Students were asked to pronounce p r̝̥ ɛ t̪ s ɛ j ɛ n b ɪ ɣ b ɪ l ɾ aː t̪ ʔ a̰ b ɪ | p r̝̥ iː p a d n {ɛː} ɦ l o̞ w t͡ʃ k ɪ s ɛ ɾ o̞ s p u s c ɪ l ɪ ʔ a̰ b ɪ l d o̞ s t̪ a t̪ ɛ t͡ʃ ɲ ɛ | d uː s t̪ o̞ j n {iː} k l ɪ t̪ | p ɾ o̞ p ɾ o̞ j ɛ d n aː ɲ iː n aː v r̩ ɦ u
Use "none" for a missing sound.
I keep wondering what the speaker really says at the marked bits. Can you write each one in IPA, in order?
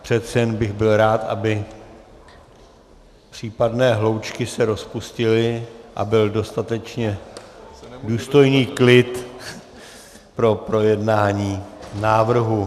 ɛː, iː

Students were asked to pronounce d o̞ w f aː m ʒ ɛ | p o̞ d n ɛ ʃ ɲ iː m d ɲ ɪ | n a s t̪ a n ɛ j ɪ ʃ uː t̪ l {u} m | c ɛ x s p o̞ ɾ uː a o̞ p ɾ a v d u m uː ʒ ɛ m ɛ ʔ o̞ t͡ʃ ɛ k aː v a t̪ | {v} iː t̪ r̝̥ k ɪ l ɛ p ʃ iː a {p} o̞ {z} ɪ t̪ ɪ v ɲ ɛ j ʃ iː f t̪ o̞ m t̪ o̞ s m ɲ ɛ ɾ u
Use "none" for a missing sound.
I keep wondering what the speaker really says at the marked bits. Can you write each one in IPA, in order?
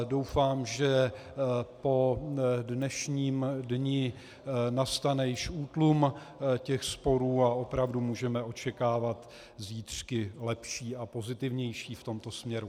u, z, p, z

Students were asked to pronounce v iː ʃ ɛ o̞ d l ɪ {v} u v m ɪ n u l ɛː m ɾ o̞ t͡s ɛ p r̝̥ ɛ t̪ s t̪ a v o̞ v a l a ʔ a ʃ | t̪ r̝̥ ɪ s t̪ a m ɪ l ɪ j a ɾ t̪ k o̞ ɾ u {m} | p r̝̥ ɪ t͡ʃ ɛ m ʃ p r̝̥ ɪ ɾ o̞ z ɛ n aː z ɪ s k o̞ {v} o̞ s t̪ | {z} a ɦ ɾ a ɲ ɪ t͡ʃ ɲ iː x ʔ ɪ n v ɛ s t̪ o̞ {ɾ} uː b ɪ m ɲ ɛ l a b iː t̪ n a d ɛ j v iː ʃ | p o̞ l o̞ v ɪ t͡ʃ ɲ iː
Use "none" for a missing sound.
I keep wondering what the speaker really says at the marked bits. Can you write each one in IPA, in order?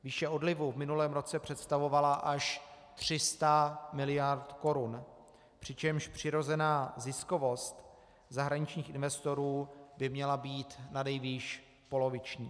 v, n, v, z, ɾ

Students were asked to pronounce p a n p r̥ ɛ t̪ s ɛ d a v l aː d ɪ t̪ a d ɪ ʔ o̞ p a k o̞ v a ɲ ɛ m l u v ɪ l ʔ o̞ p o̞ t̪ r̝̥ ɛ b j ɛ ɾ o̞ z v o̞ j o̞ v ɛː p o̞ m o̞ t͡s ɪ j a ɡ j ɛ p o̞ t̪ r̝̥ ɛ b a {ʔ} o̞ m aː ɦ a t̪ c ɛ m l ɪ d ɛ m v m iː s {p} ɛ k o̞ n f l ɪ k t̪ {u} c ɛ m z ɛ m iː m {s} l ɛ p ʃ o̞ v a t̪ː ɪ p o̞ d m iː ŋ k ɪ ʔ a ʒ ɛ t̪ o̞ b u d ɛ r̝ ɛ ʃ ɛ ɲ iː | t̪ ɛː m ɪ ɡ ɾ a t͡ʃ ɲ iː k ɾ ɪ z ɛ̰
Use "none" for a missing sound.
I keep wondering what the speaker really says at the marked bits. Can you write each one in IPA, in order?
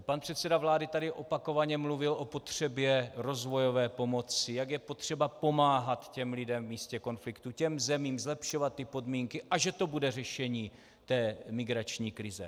p, c, u, z

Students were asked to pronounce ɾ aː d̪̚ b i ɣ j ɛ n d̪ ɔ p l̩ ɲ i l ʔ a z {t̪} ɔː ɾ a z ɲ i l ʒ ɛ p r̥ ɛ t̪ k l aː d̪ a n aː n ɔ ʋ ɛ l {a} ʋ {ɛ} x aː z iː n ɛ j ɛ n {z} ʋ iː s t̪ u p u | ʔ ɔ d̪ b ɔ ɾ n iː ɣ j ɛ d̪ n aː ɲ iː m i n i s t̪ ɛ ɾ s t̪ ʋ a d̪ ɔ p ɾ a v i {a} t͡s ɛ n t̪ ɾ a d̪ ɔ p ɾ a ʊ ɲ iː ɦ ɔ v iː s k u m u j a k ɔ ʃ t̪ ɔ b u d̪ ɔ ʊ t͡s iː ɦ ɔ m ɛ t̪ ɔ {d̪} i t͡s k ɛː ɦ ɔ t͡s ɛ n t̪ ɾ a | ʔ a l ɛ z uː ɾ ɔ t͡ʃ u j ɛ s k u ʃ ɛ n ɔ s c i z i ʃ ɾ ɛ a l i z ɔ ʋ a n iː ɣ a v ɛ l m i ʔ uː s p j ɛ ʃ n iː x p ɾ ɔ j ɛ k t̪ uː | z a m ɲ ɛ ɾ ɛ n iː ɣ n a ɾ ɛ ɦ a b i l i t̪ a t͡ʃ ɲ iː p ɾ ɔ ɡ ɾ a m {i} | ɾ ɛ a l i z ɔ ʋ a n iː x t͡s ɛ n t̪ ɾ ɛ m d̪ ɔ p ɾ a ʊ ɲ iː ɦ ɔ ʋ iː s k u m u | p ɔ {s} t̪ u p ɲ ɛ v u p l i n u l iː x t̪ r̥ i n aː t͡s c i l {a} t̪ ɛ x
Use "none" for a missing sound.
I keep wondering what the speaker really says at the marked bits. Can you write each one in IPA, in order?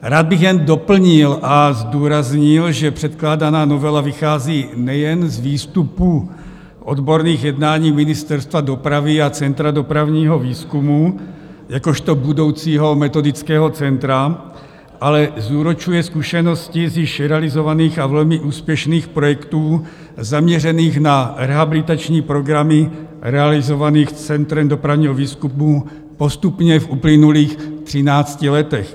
d̪, a, i, z, a, d̪, i, s, ɛ

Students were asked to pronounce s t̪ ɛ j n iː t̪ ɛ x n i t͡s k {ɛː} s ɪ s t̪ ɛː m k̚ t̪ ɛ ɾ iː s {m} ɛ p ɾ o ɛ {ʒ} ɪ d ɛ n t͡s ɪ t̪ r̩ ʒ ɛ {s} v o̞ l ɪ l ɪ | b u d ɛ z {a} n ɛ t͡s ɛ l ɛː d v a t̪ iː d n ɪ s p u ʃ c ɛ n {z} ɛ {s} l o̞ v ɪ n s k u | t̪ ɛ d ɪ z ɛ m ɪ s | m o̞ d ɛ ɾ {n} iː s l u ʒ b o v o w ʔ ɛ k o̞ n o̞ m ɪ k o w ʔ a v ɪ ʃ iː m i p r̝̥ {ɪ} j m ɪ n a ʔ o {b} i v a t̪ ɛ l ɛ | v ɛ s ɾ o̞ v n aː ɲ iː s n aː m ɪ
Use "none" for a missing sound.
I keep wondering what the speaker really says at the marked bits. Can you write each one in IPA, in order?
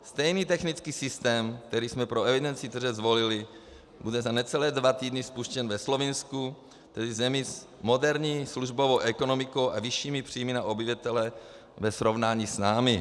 iː, m, v, z, a, v, s, ɲ, i, b

